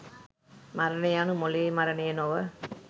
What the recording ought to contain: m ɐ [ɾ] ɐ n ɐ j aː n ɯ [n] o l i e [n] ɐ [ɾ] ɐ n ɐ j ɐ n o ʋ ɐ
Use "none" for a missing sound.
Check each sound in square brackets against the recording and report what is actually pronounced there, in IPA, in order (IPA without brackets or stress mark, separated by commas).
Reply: ɾ, m, m, ɾ